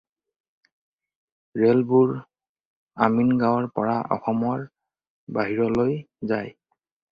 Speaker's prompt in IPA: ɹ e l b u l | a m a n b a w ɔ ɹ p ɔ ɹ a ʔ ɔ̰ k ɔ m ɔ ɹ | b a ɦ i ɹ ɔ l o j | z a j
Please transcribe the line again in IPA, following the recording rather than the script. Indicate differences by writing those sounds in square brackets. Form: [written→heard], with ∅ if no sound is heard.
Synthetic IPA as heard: ɹ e l b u [l→ɹ] | a m [a→i] n [b→ɡ] a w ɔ ɹ p ɔ ɹ a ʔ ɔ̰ [k→x] ɔ m ɔ ɹ | b a ɦ i ɹ ɔ l o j | z a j

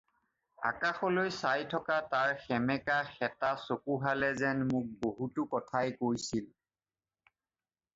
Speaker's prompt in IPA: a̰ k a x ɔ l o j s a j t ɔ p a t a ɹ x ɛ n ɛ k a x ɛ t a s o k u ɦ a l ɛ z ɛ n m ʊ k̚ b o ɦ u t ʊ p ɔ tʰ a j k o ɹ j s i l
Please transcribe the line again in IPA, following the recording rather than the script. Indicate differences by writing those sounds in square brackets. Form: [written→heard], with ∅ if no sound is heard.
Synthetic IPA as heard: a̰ k a x ɔ l o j s a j [t→tʰ] ɔ [p→k] a t a ɹ x ɛ [n→m] ɛ k a x ɛ t a s o k u ɦ a l ɛ z ɛ n m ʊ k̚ b o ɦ u t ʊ [p→k] ɔ tʰ a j k o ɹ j s i l

